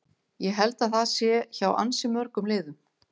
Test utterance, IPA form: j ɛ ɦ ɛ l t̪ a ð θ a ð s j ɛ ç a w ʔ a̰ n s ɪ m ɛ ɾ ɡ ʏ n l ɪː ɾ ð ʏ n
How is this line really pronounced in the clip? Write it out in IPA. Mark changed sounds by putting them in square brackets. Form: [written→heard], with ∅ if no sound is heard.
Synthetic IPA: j ɛ ɦ ɛ l t̪ a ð θ a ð s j ɛ ç a w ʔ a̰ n s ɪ m [ɛ→œ] ɾ [ɡ→k] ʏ [n→m] l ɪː [ɾ→∅] ð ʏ [n→m]